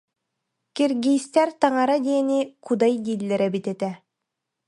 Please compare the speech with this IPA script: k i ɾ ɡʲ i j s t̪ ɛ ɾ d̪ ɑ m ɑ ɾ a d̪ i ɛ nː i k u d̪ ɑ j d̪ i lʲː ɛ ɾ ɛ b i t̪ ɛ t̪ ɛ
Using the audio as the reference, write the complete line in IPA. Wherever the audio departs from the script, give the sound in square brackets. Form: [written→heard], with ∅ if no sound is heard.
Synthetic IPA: k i ɾ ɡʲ i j s t̪ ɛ ɾ [d̪→t̪] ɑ [m→ŋ] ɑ ɾ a d̪ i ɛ [nː→n] i k u d̪ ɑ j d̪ i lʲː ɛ ɾ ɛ b i t̪ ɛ t̪ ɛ